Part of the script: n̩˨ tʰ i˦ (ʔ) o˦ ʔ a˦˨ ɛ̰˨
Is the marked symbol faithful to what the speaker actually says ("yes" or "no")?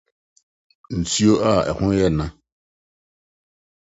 no